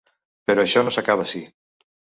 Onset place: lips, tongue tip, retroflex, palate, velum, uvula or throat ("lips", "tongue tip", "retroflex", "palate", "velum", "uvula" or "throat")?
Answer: lips